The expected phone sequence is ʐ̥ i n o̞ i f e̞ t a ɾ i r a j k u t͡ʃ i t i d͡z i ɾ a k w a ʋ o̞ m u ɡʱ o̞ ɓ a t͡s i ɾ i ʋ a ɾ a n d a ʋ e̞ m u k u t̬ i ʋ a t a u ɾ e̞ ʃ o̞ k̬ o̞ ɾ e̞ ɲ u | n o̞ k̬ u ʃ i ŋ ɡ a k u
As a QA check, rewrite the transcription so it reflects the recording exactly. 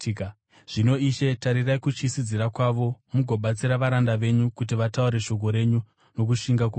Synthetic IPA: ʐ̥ i n o̞ i ʃ e̞ t a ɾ i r a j k u t͡ʃ i s i d͡z i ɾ a k w a ʋ o̞ m u ɡʱ o̞ ɓ a t͡s i ɾ a ʋ a ɾ a n d a ʋ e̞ ɲ u k u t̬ i ʋ a t a u ɾ e̞ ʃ o̞ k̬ o̞ ɾ e̞ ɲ u | n o̞ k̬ u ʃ i ŋ ɡ a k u